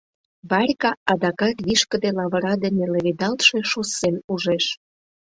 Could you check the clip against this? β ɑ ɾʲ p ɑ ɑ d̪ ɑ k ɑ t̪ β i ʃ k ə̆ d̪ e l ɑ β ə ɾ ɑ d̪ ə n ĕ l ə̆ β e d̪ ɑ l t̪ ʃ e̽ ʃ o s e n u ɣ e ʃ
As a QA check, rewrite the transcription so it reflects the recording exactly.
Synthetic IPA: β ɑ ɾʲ k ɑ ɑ d̪ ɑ k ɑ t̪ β i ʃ k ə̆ d̪ e l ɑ β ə ɾ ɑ d̪ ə n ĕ l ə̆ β e d̪ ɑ l t̪ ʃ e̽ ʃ o s e n u ʒ e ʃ